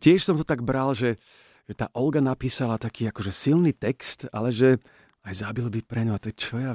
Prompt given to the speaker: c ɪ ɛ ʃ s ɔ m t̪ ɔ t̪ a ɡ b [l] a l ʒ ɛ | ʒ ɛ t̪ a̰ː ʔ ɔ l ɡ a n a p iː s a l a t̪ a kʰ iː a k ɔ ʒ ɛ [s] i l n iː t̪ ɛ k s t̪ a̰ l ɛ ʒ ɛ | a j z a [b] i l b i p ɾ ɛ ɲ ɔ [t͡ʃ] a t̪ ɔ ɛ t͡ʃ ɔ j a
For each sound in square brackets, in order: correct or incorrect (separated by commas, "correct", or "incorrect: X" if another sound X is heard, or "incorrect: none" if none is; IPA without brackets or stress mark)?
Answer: incorrect: ɾ, correct, correct, incorrect: none